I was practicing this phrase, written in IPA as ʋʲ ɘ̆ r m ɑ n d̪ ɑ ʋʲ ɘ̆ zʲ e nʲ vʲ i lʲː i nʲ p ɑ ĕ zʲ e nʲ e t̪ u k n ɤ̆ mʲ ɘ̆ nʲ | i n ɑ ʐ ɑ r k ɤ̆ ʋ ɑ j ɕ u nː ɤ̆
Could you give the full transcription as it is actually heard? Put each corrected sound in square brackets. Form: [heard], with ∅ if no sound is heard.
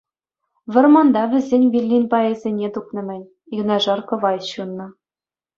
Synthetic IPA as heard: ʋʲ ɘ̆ r m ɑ n d̪ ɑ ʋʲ ɘ̆ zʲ e nʲ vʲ i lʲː i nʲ p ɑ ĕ zʲ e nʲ e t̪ u k n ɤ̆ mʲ ɘ̆ nʲ | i n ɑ ʐ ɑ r k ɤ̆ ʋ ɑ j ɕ u nː ɤ̆

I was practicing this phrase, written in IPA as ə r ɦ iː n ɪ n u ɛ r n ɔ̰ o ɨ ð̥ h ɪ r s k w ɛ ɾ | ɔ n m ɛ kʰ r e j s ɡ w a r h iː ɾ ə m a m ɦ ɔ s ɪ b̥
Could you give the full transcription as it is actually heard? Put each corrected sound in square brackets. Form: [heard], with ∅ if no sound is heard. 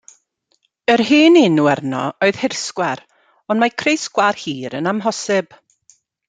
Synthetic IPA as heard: ə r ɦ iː n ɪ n u ɛ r n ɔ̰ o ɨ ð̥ h ɪ r s k w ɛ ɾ | ɔ n m [a] kʰ r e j s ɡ w a r h iː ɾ ə [n] a m ɦ ɔ s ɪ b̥

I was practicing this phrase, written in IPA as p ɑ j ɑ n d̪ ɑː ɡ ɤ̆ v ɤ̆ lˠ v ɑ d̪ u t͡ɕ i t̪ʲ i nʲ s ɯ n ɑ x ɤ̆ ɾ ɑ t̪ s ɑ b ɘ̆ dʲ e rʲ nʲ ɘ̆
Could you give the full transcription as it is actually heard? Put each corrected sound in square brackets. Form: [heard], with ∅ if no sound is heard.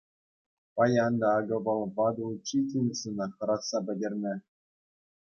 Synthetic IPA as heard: p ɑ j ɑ n d̪ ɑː ɡ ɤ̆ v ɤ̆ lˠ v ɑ d̪ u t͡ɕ i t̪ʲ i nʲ s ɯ n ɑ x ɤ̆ ɾ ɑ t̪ s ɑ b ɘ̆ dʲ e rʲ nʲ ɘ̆

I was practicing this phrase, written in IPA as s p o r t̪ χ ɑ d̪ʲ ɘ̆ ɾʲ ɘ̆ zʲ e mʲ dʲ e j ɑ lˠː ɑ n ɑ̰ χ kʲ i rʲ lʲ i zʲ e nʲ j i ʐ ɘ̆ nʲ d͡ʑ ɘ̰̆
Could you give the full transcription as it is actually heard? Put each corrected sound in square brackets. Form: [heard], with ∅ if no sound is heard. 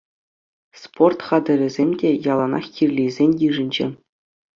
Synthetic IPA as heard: s p o r t̪ χ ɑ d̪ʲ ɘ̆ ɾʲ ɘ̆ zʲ e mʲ dʲ e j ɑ [lˠ] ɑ n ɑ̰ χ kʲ i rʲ lʲ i zʲ e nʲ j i ʐ ɘ̆ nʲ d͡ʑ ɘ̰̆

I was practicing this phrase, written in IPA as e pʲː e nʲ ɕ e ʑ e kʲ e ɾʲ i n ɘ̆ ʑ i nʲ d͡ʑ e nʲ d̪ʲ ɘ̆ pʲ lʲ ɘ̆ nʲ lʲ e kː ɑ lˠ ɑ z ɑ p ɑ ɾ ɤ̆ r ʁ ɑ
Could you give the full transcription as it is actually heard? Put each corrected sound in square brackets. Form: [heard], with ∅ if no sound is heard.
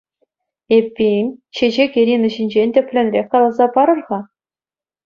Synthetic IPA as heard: e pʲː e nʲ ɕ e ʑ e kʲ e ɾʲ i n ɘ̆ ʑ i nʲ d͡ʑ e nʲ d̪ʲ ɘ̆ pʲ lʲ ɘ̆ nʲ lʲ e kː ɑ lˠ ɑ z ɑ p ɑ ɾ ɤ̆ r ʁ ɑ

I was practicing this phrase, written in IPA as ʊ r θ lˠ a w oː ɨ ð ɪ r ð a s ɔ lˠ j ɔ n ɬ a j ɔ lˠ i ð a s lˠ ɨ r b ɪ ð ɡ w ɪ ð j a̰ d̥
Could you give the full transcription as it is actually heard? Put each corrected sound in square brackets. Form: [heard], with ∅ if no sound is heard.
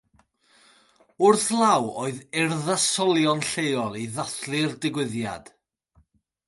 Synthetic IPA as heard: ʊ r θ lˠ a w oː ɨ ð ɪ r ð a s ɔ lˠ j ɔ n ɬ [e] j ɔ lˠ i ð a [θ] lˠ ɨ r [d] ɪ [∅] ɡ w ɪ ð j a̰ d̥

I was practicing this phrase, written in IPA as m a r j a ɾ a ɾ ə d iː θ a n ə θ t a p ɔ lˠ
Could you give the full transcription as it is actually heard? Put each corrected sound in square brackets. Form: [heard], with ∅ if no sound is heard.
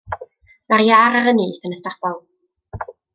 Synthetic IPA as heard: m a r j a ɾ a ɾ ə [n] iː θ [ə] n ə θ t a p ɔ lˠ

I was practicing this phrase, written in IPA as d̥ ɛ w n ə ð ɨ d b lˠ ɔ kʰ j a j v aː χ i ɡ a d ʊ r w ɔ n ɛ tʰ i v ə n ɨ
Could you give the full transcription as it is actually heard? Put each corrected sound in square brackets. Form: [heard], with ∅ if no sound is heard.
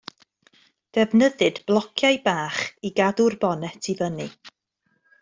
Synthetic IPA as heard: d̥ ɛ [v] n ə ð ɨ d b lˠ ɔ kʰ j a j [b] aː χ i ɡ a d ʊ r [b] ɔ n ɛ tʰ i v ə n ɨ

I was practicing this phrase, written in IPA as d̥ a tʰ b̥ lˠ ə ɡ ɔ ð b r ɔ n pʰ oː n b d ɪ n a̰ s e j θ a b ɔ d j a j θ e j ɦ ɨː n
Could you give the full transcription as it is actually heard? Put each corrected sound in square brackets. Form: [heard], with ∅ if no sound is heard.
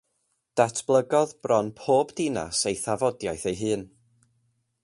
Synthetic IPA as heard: d̥ a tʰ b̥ lˠ ə ɡ ɔ ð b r ɔ n pʰ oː [∅] b d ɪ n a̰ s e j θ a [v] ɔ d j a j θ e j ɦ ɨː n

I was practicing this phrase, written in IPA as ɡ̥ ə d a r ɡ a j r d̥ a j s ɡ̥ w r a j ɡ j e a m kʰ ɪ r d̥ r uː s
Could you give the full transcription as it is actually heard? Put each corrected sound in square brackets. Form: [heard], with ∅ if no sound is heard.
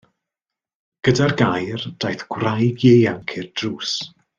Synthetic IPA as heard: ɡ̥ ə d a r ɡ a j r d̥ a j [θ] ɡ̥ w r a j ɡ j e a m kʰ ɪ r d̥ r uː s

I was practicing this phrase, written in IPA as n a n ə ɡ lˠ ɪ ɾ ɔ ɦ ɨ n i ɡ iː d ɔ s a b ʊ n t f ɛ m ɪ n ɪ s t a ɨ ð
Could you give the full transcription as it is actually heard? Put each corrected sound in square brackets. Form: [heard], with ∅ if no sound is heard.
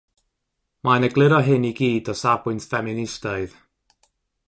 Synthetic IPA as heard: [m] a n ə ɡ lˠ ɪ ɾ ɔ ɦ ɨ n i ɡ iː d ɔ s a b ʊ n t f ɛ m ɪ n ɪ s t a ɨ ð

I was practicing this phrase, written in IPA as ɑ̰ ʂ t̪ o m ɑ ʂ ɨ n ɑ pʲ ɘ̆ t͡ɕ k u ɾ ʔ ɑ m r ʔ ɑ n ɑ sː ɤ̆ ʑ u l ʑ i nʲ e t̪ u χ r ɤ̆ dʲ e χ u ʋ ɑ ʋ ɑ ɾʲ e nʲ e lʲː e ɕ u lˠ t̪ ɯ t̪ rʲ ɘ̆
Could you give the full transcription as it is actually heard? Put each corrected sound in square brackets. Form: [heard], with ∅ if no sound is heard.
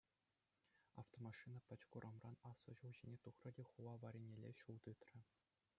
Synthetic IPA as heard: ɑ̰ [f] t̪ o m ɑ ʂ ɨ n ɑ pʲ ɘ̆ t͡ɕ k u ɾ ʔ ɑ m r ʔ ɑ n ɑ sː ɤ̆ ʑ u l ʑ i nʲ e t̪ u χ r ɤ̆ dʲ e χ u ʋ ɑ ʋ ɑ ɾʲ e nʲ e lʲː e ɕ u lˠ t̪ ɯ t̪ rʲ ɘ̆

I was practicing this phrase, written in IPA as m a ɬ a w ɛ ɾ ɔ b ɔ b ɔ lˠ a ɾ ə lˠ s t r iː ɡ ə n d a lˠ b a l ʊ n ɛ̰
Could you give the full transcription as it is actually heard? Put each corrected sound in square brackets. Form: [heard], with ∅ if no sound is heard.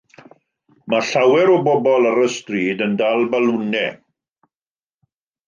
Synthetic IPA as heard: m a ɬ a w ɛ ɾ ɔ b ɔ b ɔ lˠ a ɾ ə [∅] s t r iː [d] ə n d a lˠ b a l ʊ n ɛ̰

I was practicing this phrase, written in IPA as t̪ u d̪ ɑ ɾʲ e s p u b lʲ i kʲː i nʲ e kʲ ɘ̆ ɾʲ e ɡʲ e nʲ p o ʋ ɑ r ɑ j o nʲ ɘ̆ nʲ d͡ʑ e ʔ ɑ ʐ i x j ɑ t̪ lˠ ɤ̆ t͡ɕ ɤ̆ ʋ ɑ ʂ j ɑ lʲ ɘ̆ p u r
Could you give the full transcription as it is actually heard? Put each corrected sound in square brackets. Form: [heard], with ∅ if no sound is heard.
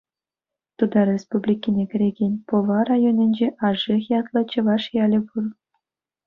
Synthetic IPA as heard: t̪ u d̪ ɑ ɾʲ e s p u b lʲ i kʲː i nʲ e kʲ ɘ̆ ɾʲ e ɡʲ e nʲ p o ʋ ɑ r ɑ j o nʲ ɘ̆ nʲ d͡ʑ e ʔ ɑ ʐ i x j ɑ t̪ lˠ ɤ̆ t͡ɕ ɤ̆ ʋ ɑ ʂ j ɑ lʲ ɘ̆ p u r

